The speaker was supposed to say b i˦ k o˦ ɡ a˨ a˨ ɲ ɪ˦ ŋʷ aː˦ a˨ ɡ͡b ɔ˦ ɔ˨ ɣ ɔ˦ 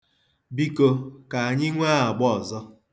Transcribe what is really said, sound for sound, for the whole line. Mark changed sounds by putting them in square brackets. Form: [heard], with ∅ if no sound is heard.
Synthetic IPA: b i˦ k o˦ [k] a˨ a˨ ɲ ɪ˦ ŋʷ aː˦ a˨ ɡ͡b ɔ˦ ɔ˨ [z] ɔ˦